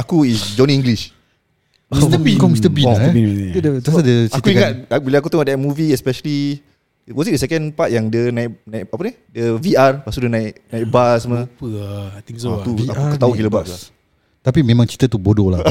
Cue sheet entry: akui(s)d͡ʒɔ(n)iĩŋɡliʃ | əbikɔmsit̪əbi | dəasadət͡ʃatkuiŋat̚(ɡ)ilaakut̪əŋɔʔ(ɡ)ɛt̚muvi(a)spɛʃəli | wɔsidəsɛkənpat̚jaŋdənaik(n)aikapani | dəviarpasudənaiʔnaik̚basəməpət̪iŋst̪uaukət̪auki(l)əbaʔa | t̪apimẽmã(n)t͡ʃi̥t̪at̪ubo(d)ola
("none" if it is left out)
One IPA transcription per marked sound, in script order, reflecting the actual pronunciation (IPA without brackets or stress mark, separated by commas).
s, n, b, d, ɛ, n, l, ŋ, d